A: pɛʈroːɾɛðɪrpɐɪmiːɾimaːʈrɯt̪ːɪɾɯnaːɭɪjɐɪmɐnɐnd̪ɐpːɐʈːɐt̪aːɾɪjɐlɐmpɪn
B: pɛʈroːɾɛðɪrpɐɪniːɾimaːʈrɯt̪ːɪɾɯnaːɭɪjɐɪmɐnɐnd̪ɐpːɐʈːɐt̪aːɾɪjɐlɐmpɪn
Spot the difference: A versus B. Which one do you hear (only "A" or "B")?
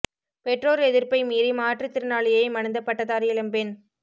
A